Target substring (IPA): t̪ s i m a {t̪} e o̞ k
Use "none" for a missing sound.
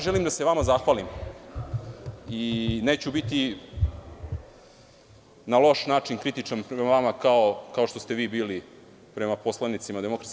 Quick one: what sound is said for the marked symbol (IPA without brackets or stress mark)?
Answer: d̪